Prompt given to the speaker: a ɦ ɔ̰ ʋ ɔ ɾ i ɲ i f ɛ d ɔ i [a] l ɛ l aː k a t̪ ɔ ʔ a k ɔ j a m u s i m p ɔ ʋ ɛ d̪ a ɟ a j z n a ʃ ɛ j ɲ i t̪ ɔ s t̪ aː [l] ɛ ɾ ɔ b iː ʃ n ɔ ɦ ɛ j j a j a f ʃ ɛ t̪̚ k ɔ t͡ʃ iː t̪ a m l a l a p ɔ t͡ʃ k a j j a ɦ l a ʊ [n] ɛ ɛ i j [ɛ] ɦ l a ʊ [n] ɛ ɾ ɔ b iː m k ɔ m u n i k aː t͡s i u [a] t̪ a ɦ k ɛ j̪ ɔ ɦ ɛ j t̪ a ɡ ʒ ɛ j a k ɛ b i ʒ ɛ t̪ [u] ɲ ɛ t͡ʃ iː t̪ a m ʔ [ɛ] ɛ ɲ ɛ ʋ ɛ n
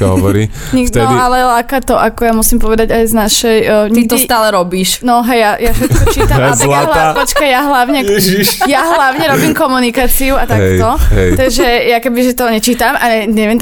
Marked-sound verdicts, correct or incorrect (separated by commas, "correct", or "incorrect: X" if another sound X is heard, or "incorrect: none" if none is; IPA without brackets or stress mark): correct, correct, incorrect: ɲ, incorrect: a, incorrect: ɲ, correct, incorrect: ɔ, incorrect: a